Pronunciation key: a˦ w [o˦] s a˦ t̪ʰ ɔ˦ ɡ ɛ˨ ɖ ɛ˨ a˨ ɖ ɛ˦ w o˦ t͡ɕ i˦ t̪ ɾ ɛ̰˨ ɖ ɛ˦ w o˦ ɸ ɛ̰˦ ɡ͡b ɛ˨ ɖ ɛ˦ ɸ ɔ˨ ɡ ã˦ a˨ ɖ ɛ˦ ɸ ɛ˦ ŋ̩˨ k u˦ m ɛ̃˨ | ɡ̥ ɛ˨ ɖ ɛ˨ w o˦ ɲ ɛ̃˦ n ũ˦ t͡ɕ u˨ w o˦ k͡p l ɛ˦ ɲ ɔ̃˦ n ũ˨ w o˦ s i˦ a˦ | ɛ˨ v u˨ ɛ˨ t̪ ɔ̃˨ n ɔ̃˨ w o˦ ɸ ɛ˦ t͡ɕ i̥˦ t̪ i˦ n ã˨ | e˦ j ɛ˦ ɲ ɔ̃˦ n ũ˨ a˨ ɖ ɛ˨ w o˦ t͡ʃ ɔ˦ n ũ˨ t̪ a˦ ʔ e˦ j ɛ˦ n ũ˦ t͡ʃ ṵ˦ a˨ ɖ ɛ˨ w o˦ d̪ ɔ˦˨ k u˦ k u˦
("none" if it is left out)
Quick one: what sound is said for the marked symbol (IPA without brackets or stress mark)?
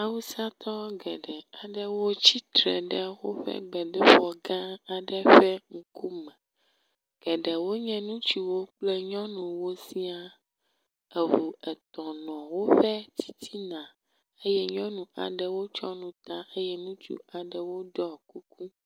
u˦